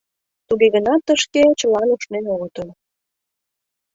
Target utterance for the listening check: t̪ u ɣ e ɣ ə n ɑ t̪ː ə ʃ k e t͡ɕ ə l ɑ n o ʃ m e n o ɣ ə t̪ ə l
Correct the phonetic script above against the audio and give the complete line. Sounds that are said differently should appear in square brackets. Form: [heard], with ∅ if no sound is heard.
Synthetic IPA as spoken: t̪ u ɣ e ɣ ə n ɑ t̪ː ə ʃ k e t͡ɕ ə l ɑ n [u] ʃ [n] e n o ɣ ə t̪ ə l